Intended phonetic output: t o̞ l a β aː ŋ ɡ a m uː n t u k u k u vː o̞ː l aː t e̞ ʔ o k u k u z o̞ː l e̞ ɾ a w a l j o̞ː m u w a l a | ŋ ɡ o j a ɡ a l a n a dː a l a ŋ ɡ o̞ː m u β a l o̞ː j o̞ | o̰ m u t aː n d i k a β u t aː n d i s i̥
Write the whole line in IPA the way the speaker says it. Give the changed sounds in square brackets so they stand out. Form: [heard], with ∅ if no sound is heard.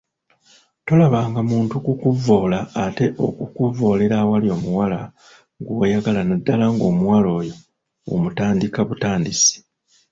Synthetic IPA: t o̞ l a β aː ŋ ɡ a m uː n t u k u k u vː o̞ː l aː t e̞ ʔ o k u k u [v] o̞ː l e̞ ɾ a w a l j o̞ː m u w a l a | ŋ ɡ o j a ɡ a l a n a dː a l a ŋ ɡ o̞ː m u [w] a l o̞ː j o̞ | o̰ m u t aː n d i k a β u t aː n d i s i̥